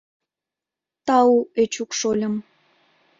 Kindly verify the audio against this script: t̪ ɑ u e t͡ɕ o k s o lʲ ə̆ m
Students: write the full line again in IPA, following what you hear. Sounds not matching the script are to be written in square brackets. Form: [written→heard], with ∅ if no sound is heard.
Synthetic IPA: t̪ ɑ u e t͡ɕ [o→u] k [s→ʃ] o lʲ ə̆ m